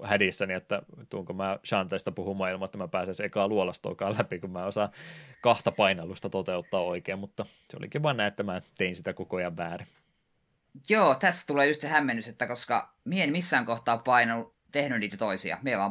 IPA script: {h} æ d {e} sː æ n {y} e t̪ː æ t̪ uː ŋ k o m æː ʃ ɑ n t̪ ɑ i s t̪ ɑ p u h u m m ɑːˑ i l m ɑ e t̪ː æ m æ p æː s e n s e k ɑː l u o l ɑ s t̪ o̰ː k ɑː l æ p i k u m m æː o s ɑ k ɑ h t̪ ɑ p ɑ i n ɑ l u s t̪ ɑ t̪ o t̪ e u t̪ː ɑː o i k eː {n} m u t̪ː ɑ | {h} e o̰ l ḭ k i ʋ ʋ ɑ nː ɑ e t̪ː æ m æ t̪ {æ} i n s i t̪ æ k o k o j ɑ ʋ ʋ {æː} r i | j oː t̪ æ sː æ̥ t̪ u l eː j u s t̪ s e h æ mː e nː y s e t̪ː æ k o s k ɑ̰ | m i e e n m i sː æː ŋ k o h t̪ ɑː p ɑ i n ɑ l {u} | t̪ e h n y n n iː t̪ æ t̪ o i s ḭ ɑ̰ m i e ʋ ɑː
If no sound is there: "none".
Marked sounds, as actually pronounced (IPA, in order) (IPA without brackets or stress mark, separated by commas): h, i, i, m, s, e, æː, u